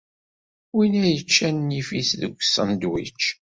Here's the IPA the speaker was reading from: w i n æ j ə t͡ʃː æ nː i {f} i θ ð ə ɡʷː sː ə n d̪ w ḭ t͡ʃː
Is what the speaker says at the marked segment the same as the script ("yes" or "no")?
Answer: yes